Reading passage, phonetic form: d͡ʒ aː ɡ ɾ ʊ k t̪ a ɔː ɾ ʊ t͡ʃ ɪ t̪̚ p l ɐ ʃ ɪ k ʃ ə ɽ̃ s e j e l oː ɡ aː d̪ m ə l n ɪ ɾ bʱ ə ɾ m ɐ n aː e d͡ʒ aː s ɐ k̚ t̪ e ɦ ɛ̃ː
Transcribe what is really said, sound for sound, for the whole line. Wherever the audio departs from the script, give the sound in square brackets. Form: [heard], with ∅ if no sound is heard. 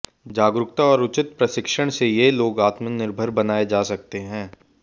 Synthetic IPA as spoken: d͡ʒ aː ɡ ɾ ʊ k t̪ a ɔː ɾ ʊ t͡ʃ ɪ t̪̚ p [ɾ] ɐ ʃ ɪ k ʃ ə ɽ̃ s e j e l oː ɡ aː [t̪] m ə [∅] n ɪ ɾ bʱ ə ɾ [b] ɐ n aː e d͡ʒ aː s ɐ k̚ t̪ e ɦ ɛ̃ː